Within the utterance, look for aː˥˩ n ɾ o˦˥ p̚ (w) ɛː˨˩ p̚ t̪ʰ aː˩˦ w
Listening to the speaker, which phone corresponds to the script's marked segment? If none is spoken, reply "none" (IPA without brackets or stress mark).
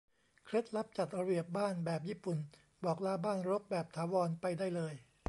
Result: b